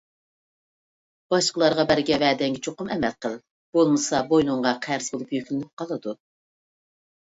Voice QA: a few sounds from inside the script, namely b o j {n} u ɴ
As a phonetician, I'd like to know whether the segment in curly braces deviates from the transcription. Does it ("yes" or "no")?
no